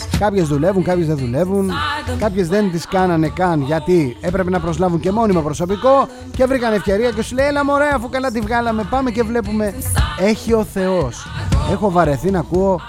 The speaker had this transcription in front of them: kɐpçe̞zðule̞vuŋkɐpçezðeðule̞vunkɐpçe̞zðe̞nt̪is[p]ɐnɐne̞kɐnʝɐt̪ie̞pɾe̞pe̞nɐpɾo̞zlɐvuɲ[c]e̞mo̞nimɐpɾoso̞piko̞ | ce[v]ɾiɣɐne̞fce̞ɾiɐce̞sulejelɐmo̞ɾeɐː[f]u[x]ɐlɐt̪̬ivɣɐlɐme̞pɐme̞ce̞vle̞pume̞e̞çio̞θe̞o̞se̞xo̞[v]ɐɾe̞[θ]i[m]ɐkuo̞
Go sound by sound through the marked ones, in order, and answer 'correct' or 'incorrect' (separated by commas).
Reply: incorrect, correct, correct, correct, incorrect, correct, correct, incorrect